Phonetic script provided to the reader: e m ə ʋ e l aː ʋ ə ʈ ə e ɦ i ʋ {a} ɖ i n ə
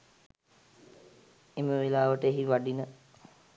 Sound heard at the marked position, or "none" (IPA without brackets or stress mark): a